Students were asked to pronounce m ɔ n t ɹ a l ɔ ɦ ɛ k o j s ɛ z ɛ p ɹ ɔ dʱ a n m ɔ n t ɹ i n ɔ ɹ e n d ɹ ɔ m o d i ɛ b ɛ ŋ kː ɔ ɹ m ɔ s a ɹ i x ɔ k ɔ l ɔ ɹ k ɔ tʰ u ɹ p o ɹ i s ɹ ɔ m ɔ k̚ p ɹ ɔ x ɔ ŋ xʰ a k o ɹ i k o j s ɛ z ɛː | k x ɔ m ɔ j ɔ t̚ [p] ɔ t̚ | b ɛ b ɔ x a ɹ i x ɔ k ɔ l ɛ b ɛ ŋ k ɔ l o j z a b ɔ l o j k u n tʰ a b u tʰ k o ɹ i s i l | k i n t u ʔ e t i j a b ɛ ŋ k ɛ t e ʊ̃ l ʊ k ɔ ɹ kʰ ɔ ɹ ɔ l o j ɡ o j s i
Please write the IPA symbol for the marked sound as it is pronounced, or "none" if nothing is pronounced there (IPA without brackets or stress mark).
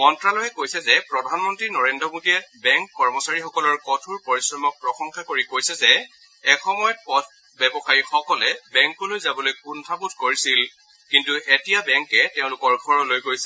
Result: p